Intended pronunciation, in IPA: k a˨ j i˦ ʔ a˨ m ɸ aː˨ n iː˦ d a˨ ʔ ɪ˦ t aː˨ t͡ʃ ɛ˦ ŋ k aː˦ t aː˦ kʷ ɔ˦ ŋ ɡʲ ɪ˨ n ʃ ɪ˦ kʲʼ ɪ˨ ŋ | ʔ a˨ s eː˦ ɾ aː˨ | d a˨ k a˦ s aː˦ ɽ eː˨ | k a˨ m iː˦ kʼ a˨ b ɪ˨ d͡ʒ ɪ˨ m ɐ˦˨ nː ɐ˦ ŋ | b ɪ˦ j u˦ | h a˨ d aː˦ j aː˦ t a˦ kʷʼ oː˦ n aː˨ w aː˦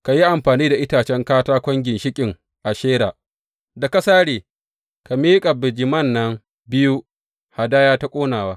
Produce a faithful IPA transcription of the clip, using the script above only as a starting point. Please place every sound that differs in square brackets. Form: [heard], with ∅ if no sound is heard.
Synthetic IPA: k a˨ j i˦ ʔ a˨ m ɸ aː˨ n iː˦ d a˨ ʔ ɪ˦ t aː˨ t͡ʃ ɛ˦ ŋ k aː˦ t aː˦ kʷ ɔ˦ ŋ ɡʲ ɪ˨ n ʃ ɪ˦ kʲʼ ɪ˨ ŋ | ʔ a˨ [ʃ] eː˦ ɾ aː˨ | d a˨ k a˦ s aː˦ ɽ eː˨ | k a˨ m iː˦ kʼ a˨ b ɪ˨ d͡ʒ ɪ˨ m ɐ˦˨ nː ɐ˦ ŋ | b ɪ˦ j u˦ | h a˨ d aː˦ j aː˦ t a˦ kʷʼ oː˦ n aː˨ w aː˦